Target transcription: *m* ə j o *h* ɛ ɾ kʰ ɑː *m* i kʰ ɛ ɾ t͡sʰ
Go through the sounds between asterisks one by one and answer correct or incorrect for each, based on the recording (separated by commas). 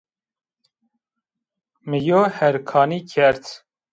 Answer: correct, correct, incorrect